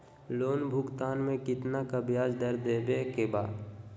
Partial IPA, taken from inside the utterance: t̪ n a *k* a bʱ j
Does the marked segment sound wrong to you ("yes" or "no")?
no